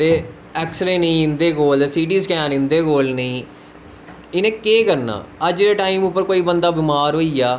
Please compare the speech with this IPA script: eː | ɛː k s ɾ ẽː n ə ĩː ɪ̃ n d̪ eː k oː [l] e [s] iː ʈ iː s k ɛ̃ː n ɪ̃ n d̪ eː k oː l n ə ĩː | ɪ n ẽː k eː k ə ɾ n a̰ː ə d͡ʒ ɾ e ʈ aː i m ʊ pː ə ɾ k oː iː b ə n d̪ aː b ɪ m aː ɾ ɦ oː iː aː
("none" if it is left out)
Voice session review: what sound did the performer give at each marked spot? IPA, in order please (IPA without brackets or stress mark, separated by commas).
l, s